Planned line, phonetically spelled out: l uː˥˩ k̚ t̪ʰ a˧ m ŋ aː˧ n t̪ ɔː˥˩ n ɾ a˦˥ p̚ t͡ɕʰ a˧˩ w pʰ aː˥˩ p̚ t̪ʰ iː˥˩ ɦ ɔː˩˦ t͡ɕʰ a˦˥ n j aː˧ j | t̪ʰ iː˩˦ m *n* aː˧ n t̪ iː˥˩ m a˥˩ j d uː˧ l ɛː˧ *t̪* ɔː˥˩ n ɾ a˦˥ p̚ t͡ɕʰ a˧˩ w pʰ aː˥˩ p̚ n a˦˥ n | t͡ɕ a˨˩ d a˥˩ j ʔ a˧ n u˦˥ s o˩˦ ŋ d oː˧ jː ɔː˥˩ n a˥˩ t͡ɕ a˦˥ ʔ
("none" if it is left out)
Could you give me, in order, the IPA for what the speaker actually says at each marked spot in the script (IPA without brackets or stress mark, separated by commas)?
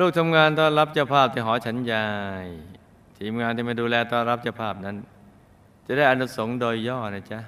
ŋ, t̪